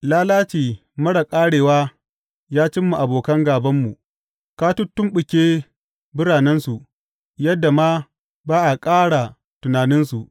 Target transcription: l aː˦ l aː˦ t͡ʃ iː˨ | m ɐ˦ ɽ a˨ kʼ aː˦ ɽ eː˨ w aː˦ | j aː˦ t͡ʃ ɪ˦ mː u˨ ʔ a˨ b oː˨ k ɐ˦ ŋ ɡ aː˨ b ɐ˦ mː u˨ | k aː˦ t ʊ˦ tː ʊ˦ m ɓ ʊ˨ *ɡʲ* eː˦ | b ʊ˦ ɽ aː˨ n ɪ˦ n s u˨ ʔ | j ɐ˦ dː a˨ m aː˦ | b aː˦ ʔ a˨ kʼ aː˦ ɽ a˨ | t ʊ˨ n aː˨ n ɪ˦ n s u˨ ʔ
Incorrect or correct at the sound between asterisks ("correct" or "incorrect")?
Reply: incorrect